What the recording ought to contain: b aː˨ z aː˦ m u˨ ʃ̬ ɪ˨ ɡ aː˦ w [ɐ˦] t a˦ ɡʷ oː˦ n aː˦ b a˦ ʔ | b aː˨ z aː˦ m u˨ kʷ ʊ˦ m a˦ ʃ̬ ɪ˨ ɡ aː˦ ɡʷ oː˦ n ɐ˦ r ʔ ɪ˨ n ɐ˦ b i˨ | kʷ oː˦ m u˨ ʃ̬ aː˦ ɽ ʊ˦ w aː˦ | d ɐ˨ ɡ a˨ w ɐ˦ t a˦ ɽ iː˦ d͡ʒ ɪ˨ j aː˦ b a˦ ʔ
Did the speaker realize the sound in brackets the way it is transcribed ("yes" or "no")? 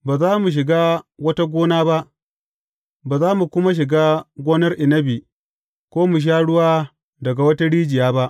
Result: yes